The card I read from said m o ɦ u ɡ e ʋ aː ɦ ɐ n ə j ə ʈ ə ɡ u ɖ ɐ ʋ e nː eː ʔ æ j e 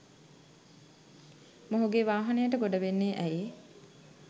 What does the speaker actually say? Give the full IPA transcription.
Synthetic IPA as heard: m o ɦ u ɡ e ʋ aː ɦ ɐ n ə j ə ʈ ə ɡ o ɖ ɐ ʋ e nː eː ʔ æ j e